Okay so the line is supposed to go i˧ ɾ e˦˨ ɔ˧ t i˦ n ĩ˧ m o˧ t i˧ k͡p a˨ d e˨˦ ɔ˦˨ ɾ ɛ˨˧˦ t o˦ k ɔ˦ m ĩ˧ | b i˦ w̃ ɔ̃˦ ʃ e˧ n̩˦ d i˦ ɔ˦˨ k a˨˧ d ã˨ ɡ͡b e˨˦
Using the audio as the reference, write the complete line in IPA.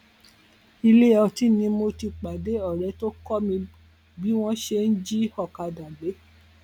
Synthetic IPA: i˧ l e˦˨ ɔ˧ t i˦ n ĩ˧ m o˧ t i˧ k͡p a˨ d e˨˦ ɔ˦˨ ɾ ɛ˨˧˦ t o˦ k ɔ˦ m ĩ˧ | b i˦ w̃ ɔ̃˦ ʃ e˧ n̩˦ d͡ʒ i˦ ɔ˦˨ k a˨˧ d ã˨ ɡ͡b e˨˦